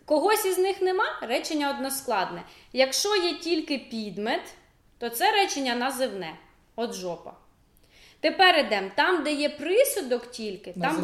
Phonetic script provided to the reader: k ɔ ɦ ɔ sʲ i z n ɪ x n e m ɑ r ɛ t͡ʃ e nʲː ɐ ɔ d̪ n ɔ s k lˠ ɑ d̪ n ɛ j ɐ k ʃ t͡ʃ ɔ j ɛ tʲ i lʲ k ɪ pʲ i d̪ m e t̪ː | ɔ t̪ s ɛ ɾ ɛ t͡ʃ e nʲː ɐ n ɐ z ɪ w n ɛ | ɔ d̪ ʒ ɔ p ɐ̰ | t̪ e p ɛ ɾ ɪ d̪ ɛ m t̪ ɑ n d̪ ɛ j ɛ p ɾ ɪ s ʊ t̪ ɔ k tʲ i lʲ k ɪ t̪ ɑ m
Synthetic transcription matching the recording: k ɔ ɦ ɔ sʲ i z n ɪ x n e m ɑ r ɛ t͡ʃ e nʲː ɐ ɔ d̪ n ɔ s k lˠ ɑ d̪ n ɛ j ɐ k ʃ t͡ʃ ɔ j ɛ tʲ i lʲ k ɪ pʲ i d̪ m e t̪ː | ɔ t̪ s ɛ ɾ ɛ t͡ʃ e nʲː ɐ n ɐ z ɪ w n ɛ | ɔ d̪ ʒ ɔ p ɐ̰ | t̪ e p ɛ ɾ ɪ d̪ ɛ m t̪ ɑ m d̪ ɛ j ɛ p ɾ ɪ s ʊ d̪ ɔ k tʲ i lʲ k ɪ t̪ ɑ m